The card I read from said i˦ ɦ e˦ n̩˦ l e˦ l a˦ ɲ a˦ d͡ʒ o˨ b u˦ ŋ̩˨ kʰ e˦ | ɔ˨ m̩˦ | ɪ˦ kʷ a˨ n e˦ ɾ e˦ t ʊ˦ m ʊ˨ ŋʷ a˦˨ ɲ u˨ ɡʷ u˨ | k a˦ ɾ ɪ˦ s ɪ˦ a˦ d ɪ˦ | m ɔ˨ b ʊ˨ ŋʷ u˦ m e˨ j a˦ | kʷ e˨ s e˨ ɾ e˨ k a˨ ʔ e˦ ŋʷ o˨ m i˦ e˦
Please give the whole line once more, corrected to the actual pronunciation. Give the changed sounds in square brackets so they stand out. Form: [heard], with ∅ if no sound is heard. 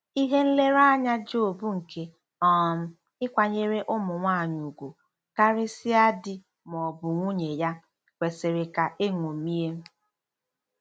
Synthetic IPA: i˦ ɦ e˦ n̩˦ l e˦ [ɾ] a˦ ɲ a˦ d͡ʒ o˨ b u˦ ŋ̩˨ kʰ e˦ | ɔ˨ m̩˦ | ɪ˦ kʷ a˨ [ɲ] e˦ ɾ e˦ [ʔ] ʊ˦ m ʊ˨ ŋʷ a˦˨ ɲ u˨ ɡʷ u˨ | k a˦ ɾ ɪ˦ s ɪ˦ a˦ d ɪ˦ | m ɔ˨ b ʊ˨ ŋʷ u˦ [ɲ] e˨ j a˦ | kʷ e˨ s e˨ ɾ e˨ k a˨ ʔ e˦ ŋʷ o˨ m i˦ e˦